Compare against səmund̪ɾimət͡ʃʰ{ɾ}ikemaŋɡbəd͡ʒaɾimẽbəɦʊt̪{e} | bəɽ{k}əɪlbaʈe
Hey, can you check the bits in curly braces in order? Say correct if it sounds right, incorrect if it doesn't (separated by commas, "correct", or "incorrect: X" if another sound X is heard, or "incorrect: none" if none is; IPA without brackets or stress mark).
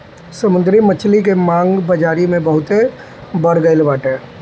incorrect: l, correct, incorrect: ɡ